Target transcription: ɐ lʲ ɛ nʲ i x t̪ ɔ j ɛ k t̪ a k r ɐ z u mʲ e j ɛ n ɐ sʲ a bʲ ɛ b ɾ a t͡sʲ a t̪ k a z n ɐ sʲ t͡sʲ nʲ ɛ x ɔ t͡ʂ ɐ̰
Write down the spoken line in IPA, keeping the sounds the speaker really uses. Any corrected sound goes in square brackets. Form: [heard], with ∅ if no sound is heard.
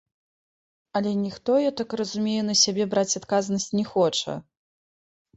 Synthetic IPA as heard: ɐ lʲ ɛ nʲ i x t̪ ɔ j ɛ [∅] t̪ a k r ɐ z u mʲ e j ɛ n ɐ sʲ a bʲ ɛ b ɾ a t͡sʲ a t̪ k a z n ɐ sʲ t͡sʲ nʲ ɛ x ɔ t͡ʂ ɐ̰